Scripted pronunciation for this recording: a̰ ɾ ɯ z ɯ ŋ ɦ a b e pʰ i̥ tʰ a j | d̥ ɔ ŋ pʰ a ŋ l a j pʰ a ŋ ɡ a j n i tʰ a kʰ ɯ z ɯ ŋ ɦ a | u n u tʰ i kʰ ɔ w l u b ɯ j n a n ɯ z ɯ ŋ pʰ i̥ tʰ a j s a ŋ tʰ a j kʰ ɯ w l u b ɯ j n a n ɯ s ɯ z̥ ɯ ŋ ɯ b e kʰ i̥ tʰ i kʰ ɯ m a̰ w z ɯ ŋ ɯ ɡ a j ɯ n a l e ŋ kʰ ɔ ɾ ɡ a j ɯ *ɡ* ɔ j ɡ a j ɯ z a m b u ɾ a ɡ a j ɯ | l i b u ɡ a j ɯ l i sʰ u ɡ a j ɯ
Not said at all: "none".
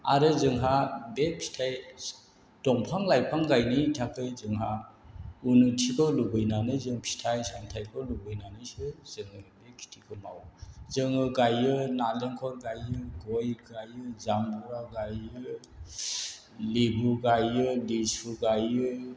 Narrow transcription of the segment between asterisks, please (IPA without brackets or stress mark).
ɡ